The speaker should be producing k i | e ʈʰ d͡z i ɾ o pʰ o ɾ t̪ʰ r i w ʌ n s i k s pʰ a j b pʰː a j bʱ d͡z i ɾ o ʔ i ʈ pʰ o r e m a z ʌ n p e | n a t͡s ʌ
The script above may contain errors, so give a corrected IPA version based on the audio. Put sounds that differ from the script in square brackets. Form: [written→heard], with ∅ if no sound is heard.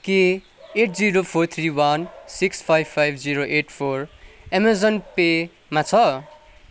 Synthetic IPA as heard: k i | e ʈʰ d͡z i ɾ o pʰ o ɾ t̪ʰ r i w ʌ n s i k s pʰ a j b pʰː a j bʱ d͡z i ɾ o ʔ [i→e] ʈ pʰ o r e m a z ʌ n p e | [n→m] a [t͡s→t͡sʰ] ʌ